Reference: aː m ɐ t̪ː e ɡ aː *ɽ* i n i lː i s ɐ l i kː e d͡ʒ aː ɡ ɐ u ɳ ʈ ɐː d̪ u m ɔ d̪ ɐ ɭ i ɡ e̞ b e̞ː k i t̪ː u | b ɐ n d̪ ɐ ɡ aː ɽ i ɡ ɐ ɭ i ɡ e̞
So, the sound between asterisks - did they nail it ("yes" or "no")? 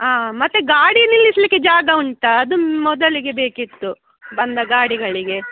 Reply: yes